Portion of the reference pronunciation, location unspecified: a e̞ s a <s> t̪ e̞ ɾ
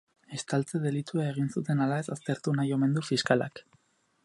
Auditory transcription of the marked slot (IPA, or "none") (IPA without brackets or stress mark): s